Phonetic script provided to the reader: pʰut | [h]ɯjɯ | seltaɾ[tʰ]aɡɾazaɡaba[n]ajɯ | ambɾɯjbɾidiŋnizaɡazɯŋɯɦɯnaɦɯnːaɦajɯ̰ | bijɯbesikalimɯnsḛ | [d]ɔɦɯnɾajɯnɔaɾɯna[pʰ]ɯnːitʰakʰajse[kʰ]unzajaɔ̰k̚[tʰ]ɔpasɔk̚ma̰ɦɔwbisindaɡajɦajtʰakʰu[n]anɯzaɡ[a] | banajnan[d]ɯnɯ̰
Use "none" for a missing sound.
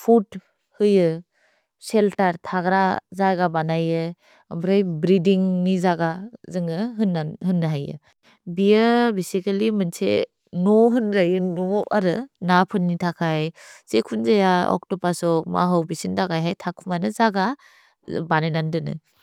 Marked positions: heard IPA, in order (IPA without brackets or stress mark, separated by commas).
h, tʰ, n, n, pʰ, kʰ, t, m, a, d